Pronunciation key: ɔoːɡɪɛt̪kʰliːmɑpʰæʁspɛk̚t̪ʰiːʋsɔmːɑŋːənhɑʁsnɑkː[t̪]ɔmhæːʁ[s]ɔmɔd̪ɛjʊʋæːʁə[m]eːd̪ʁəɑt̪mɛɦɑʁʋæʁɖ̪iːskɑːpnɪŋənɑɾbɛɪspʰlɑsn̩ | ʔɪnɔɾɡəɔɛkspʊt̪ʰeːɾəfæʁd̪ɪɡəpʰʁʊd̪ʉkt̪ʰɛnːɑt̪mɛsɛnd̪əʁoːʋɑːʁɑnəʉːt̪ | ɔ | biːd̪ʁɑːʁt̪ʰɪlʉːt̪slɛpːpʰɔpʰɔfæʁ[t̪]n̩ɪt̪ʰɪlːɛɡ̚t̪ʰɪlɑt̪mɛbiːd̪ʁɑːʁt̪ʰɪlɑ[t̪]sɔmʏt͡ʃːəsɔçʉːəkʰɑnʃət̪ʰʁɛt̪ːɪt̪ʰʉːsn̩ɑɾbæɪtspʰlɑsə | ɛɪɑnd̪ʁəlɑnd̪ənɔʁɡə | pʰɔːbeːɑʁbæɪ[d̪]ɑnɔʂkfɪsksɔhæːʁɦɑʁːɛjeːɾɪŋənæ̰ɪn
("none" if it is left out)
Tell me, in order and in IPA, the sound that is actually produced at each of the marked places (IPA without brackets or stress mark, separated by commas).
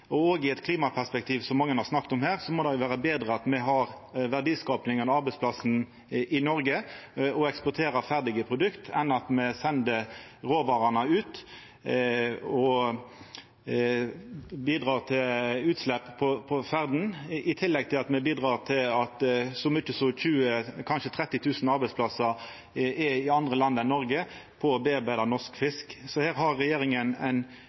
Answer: t̪, s, b, d̪, t̪, d̪